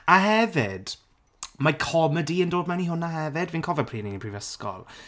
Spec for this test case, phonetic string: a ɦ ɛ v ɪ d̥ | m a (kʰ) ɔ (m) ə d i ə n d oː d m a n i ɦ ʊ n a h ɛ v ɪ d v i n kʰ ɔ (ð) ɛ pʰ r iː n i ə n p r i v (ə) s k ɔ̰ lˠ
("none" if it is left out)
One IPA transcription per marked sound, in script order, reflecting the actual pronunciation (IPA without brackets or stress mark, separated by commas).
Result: kʰ, m, v, ə